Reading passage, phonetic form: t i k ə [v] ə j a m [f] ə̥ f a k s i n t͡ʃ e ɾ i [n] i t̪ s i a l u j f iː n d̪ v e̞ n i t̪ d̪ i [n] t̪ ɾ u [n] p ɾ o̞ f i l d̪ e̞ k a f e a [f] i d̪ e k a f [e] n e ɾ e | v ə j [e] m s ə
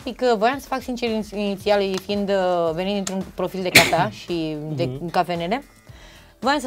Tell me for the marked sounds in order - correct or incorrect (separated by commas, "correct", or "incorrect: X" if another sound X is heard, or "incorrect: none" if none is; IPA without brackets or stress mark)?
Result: correct, incorrect: s, correct, correct, correct, incorrect: ʃ, correct, incorrect: a